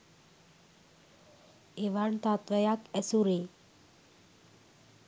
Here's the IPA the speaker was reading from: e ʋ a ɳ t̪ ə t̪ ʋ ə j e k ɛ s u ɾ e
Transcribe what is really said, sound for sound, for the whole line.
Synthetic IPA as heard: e ʋ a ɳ t̪ a t̪ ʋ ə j a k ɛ s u ɾ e